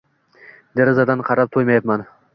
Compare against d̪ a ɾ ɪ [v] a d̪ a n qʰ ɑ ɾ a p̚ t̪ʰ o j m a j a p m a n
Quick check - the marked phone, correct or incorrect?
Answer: incorrect